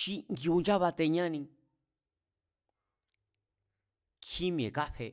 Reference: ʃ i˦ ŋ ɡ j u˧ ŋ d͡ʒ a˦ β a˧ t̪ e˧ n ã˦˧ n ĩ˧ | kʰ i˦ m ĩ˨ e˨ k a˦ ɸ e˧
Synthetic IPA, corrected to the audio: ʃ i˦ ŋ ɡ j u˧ n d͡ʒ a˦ β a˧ t̪ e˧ ɲ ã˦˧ n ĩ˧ | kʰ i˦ m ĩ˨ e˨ k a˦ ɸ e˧